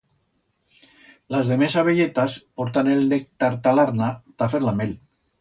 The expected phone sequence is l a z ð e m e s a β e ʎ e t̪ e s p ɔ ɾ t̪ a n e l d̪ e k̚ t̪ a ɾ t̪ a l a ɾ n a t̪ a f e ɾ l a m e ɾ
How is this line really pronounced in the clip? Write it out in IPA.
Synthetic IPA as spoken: l a z ð e m e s a β e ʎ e t̪ a s p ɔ ɾ t̪ a n e l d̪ e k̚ t̪ a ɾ t̪ a l a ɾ n a t̪ a f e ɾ l a m e l